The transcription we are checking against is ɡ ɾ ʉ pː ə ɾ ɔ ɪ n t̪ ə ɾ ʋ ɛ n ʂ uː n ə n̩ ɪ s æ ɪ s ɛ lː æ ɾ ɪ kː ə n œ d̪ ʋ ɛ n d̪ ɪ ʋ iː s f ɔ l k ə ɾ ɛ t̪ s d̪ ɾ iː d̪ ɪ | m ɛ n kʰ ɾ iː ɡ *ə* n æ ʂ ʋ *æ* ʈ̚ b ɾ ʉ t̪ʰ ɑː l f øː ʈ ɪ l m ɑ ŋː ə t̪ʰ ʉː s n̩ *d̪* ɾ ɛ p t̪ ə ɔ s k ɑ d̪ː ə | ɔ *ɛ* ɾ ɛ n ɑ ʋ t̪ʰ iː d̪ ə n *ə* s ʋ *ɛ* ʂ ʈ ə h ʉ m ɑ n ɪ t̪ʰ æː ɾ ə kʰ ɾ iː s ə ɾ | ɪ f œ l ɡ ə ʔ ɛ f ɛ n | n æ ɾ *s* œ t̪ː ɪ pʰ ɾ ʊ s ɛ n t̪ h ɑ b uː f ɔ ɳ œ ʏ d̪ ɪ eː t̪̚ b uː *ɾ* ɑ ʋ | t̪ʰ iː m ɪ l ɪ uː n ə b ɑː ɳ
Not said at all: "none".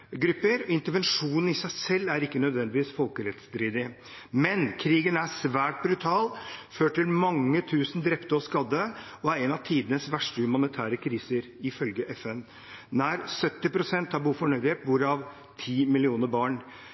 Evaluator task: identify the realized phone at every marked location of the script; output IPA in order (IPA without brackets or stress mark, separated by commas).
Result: ə, æː, d̪, æ, ə, æ, s, ɾ